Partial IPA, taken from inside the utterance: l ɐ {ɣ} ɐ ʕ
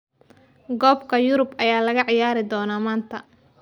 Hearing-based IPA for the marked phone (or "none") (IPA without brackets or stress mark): ɣ